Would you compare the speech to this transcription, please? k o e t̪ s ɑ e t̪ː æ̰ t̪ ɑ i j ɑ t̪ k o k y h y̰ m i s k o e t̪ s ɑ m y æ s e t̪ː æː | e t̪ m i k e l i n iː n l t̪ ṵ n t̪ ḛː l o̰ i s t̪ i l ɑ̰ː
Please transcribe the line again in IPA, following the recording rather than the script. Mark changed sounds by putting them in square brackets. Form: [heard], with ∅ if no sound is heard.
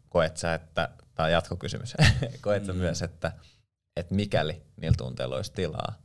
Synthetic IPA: k o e t̪ s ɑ e t̪ː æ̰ t̪ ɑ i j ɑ t̪ k o k y [s] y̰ m [y] s k o e t̪ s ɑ m y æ s e t̪ː [æ] | e t̪ m i k [æ] l i n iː [∅] l t̪ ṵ n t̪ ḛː l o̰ i s t̪ i l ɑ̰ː